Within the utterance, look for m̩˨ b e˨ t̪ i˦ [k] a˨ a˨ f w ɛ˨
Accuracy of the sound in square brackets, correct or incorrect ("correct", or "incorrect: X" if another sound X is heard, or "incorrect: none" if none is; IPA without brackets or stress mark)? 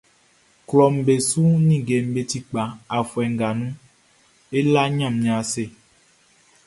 incorrect: k͡p